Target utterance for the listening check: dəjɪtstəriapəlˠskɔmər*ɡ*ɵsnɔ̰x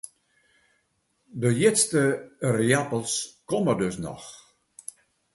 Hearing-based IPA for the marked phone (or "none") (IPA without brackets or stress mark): d